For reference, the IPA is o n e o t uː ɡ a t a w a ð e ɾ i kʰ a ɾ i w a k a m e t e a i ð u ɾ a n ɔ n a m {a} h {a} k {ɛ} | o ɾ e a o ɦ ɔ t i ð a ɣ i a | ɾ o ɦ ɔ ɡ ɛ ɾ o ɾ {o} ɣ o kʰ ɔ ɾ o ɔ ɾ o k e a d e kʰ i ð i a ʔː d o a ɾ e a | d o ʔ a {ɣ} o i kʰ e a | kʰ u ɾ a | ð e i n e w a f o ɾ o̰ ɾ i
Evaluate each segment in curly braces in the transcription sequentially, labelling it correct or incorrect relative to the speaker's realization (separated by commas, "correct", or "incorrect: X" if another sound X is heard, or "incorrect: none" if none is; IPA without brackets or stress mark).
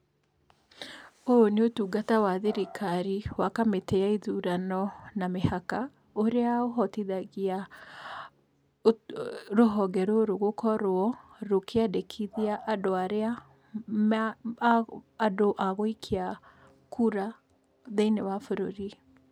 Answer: incorrect: e, correct, incorrect: a, correct, correct